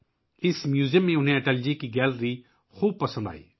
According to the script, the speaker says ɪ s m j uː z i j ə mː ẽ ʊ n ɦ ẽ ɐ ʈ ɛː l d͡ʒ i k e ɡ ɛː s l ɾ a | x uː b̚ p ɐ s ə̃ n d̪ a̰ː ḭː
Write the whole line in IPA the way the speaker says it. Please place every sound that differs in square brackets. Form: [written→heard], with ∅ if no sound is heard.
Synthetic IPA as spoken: ɪ s m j uː z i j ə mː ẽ ʊ n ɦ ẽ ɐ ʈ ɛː l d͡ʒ i k [e→i] ɡ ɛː [s→∅] l ɾ [a→i] | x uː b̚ p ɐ s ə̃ n d̪ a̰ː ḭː